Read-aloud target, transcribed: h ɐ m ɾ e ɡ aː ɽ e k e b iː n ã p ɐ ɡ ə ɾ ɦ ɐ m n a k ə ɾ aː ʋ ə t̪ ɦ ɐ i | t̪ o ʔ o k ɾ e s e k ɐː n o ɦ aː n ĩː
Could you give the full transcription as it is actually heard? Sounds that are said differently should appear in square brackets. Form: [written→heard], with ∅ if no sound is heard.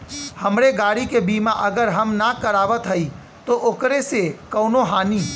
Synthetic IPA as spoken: h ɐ m ɾ e ɡ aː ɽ [e→i] k e b iː [n→m] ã [p→ʔ] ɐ ɡ ə ɾ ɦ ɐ m n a k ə ɾ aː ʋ ə t̪ ɦ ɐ i | t̪ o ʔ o k ɾ e s e k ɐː n o ɦ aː n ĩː